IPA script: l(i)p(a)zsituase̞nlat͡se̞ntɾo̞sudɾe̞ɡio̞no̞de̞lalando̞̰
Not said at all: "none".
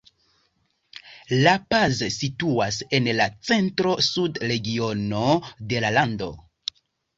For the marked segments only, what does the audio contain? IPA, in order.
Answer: a, a

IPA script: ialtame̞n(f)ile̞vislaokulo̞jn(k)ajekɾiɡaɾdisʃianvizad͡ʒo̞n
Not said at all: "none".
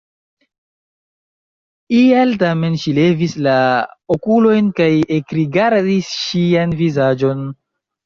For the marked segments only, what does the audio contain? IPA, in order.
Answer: ʃ, k

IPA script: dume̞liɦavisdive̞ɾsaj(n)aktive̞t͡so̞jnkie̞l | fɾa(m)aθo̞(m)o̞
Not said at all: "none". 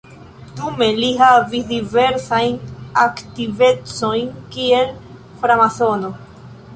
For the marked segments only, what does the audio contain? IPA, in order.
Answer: n, m, n

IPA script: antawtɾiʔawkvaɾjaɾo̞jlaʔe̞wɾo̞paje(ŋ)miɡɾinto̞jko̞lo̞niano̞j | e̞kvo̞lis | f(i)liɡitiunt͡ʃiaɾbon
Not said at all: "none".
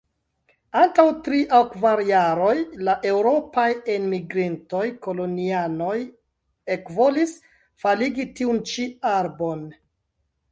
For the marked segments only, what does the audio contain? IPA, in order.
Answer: n, a

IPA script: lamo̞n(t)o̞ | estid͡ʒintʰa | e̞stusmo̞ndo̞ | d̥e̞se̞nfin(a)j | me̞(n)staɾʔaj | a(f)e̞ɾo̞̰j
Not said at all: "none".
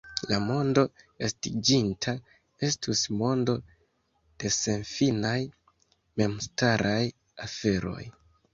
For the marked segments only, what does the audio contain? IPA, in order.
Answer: d, a, m, f

